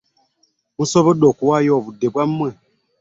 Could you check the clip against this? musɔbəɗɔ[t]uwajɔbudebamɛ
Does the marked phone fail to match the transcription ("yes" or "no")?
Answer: yes